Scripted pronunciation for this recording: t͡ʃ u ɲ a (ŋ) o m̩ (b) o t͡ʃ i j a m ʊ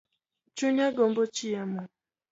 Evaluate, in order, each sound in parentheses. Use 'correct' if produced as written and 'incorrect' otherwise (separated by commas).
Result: incorrect, correct